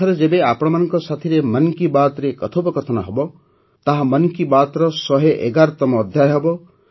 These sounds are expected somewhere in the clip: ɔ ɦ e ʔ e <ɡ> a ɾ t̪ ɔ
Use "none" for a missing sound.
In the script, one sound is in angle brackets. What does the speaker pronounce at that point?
ɡ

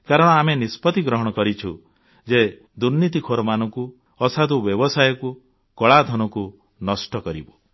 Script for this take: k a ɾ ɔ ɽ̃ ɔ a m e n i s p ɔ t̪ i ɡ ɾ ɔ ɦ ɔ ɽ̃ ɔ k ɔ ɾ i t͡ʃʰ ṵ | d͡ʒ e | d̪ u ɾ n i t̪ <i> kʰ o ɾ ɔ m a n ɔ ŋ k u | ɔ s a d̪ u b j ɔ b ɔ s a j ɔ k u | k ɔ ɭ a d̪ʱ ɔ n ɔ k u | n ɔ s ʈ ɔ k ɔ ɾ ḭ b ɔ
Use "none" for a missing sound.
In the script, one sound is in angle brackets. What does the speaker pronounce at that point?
i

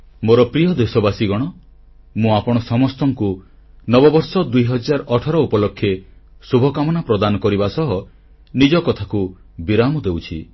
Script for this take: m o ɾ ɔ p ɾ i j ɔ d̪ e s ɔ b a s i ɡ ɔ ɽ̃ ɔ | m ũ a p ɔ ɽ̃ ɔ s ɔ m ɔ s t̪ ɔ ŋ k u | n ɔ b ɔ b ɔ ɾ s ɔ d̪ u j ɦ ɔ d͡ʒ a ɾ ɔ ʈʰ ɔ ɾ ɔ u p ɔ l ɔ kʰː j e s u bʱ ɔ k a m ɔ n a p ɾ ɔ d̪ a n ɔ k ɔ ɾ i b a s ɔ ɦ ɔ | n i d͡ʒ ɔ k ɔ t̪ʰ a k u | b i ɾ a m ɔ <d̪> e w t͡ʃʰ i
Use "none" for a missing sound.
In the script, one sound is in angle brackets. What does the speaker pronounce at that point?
d̪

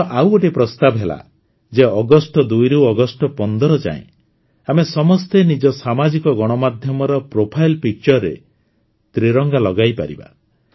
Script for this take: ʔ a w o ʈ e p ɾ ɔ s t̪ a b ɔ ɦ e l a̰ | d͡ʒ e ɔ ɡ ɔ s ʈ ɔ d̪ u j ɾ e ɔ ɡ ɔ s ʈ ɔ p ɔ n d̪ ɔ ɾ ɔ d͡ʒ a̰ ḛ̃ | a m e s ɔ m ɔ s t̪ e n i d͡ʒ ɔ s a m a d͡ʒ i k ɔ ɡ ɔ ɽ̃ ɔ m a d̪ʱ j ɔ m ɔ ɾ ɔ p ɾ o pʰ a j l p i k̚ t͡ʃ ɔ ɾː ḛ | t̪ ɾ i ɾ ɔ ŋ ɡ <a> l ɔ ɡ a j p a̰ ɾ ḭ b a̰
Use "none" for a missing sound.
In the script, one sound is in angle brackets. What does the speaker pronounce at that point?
a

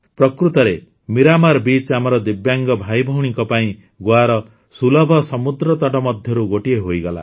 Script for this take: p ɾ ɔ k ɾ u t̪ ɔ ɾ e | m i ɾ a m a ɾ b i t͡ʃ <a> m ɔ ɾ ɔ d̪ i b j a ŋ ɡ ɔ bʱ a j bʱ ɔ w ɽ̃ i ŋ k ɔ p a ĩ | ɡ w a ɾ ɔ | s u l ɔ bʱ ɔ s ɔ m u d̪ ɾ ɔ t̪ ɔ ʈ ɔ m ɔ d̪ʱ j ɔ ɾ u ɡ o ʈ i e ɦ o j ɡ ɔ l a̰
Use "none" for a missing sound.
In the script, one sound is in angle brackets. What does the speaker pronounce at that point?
a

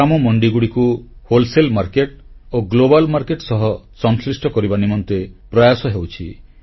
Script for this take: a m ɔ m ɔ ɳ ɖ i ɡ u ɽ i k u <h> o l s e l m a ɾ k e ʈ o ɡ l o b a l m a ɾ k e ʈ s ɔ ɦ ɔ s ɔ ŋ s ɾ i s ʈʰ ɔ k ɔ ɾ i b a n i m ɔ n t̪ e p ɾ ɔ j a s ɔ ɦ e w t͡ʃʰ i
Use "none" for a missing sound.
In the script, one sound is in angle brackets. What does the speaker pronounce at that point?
h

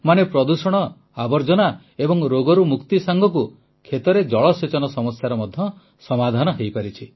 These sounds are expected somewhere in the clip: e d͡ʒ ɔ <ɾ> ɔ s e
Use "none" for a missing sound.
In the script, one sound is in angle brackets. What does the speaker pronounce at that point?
ɭ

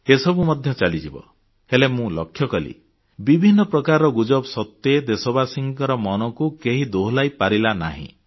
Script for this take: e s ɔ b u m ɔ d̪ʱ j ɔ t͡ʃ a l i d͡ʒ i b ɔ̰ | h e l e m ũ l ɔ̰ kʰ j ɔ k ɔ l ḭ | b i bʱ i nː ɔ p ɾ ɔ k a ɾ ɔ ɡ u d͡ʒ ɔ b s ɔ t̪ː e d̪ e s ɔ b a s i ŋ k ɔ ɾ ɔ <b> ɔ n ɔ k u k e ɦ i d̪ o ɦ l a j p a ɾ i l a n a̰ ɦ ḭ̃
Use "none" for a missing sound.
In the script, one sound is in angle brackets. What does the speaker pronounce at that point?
m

